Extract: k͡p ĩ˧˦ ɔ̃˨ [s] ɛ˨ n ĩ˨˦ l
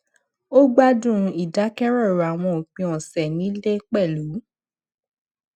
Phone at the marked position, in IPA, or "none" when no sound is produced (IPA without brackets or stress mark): s